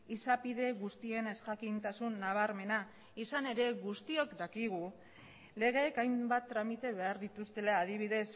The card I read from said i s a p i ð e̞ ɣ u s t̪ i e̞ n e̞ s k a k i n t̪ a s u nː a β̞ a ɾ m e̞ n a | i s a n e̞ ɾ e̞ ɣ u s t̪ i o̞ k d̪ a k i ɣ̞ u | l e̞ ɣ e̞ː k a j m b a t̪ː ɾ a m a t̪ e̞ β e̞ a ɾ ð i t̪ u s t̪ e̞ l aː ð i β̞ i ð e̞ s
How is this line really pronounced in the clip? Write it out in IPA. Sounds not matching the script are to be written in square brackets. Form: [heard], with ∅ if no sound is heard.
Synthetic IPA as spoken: i s a p i ð e̞ ɣ u s t̪ i e̞ n e̞ s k a k i n t̪ a s u nː a β̞ a ɾ m e̞ n a | i s a n e̞ ɾ e̞ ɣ u s t̪ i o̞ k d̪ a k i ɣ̞ u | l e̞ ɣ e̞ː k a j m b a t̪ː ɾ a m [i] t̪ e̞ β e̞ a ɾ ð i t̪ u s t̪ e̞ l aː ð i β̞ i ð e̞ s

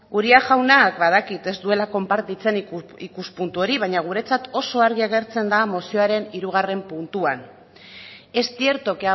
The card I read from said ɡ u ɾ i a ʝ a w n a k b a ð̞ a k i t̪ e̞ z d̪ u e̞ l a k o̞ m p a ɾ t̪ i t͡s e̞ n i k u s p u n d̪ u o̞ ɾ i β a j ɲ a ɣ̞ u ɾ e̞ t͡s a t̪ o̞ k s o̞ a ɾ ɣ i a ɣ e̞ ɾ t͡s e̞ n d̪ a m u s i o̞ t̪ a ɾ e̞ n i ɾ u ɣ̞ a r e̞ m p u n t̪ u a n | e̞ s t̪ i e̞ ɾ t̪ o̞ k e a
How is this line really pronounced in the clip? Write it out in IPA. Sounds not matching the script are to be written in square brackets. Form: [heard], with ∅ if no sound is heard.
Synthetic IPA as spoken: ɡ u ɾ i a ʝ a w n a k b a ð̞ a k i t̪ e̞ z d̪ u e̞ l a k o̞ m p a ɾ t̪ i t͡s e̞ n i k u s p u n [t̪] u o̞ ɾ i β a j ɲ a ɣ̞ u ɾ e̞ t͡s a t̪ o̞ [∅] s o̞ a ɾ ɣ i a ɣ e̞ ɾ t͡s e̞ n d̪ a m [o] s i o̞ [∅] a ɾ e̞ n i ɾ u ɣ̞ a r e̞ m p u n t̪ u a n | e̞ s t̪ i e̞ ɾ t̪ o̞ k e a

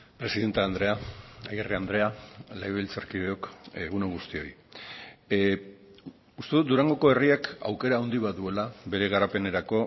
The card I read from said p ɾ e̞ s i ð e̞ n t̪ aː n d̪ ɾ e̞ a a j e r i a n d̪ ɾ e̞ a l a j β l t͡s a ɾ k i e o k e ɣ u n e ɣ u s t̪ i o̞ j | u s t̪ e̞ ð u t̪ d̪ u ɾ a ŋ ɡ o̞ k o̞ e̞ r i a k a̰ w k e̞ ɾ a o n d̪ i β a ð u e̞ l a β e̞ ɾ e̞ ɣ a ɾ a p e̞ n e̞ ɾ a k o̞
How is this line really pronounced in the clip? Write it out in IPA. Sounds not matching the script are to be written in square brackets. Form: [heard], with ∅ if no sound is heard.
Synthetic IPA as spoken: p ɾ e̞ s i ð e̞ n t̪ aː n d̪ ɾ e̞ a a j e r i a n d̪ ɾ e̞ a l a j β l t͡s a ɾ k i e o k e ɣ u n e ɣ u s t̪ i o̞ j | u s t̪ e̞ ð u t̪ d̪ u ɾ a ŋ ɡ o̞ k o̞ e̞ r i a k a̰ w k e̞ ɾ a o n d̪ i β a ð u e̞ l a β e̞ ɾ e̞ ɣ a ɾ a p e̞ n e̞ ɾ a k o̞

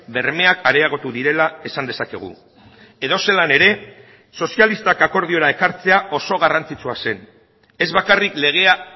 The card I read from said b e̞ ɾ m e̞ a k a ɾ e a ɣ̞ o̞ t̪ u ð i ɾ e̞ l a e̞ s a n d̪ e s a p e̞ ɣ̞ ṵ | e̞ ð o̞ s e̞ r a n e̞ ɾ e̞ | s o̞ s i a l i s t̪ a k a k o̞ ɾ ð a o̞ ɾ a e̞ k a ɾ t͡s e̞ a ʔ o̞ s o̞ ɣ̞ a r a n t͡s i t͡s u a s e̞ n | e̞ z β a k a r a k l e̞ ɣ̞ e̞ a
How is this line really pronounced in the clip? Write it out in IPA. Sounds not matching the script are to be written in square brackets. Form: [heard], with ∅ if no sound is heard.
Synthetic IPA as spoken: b e̞ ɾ m e̞ a k a ɾ e a ɣ̞ o̞ t̪ u ð i ɾ e̞ l a e̞ s a n d̪ e s a [k] e̞ ɣ̞ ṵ | e̞ ð o̞ s e̞ [l] a n e̞ ɾ e̞ | s o̞ s i a l i s t̪ a k a k o̞ ɾ ð [i] o̞ ɾ a e̞ k a ɾ t͡s e̞ a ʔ o̞ s o̞ ɣ̞ a r a n t͡s i t͡s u a s e̞ n | e̞ z β a k a r [i] k l e̞ ɣ̞ e̞ a

